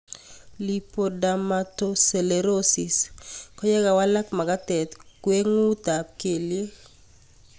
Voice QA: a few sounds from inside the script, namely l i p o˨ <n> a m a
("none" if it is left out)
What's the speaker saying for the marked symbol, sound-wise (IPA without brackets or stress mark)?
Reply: d